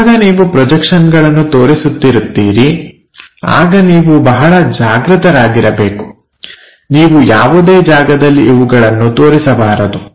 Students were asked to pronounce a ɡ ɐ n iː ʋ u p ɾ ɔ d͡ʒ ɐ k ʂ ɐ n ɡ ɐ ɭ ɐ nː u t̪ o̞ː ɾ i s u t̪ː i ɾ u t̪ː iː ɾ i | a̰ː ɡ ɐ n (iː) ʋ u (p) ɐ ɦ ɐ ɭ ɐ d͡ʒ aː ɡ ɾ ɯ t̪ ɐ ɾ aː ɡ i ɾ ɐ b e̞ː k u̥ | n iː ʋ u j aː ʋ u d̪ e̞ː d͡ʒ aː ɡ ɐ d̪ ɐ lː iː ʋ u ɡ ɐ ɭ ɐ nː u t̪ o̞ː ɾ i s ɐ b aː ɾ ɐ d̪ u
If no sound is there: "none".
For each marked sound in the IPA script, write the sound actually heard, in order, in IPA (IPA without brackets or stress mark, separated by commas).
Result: iː, b